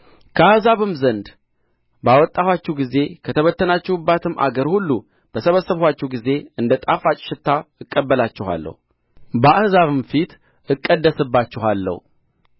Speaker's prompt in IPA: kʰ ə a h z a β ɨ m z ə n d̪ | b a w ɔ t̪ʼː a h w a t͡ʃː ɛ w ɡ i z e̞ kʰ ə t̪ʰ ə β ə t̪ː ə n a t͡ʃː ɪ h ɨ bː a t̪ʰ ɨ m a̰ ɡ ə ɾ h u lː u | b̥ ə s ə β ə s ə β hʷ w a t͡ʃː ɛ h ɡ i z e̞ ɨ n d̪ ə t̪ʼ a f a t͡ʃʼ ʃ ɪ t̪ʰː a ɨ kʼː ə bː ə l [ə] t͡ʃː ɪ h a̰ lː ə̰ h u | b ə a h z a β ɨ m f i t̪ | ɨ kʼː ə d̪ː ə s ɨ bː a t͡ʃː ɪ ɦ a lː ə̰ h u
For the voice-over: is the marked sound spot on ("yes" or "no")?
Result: no